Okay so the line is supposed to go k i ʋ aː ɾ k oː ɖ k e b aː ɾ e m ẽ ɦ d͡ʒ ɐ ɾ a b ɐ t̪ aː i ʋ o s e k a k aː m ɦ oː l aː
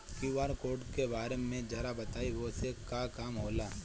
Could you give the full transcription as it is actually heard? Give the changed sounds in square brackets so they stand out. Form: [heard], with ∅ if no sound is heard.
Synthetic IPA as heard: k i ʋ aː ɾ k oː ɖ k e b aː ɾ e m ẽ [∅] d͡ʒ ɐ ɾ a b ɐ t̪ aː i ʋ o s e k a k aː m ɦ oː l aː